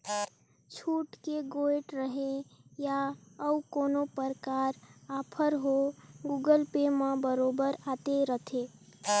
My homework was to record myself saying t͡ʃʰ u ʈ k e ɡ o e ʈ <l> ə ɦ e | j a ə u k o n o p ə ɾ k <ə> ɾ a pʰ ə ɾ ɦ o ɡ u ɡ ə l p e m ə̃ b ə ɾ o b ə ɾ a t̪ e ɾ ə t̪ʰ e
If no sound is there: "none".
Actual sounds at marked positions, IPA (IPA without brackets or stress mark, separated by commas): ɾ, a